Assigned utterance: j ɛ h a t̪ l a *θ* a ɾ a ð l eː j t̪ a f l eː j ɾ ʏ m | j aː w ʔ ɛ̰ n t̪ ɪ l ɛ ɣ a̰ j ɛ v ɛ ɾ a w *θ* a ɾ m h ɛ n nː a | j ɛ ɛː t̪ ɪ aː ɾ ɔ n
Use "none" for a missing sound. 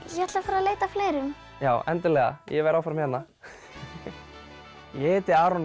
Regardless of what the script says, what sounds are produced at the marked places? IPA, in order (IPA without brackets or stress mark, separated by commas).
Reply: f, f